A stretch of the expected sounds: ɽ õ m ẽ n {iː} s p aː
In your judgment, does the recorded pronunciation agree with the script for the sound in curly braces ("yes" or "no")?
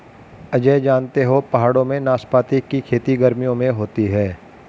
no